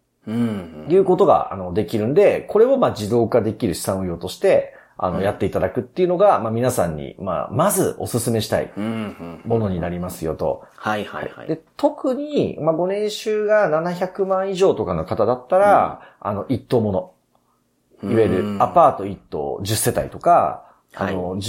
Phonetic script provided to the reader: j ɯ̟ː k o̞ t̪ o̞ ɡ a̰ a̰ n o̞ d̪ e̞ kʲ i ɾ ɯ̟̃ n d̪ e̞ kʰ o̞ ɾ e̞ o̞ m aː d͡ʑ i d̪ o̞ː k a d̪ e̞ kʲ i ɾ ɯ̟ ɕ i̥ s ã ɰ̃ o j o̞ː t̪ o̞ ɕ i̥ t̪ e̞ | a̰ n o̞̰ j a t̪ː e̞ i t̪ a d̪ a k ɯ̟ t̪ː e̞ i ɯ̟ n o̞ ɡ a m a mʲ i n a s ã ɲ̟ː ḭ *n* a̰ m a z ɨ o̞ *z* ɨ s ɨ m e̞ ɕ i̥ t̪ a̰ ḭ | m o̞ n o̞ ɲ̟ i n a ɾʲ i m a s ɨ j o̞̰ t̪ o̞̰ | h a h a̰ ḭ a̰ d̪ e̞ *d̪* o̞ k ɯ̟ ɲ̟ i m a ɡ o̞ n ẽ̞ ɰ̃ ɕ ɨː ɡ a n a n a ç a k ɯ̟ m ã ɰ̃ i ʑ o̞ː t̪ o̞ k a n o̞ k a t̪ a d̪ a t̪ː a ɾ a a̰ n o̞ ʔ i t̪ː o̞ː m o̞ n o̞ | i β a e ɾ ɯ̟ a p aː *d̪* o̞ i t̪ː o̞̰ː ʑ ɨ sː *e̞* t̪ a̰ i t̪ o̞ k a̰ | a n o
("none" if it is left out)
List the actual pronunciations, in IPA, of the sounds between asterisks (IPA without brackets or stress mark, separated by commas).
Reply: m, s, t̪, t̪, e̞